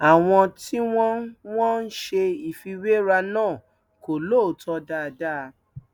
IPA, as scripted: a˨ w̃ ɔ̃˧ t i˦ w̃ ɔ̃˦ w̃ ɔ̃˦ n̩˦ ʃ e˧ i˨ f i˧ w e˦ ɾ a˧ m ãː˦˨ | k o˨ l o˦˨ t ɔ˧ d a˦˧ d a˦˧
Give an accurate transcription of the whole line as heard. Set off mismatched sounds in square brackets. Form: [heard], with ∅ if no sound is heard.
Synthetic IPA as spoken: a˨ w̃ ɔ̃˧ t i˦ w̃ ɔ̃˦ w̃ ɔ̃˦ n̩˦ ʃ e˧ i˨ f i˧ w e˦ ɾ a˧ [n] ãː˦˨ | k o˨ l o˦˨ t ɔ˧ d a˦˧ d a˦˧